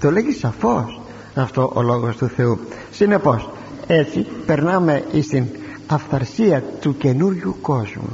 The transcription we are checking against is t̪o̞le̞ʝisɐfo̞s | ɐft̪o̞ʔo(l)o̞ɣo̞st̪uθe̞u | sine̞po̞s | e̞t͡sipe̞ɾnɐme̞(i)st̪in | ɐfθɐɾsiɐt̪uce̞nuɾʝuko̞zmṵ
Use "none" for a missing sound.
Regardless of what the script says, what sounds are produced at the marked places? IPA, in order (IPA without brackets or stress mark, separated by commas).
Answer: l, i